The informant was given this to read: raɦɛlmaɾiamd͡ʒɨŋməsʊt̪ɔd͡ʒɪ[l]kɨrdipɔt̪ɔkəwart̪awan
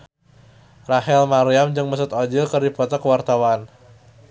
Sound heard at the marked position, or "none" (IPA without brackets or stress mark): l